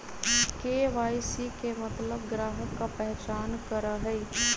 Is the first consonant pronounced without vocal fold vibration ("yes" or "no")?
yes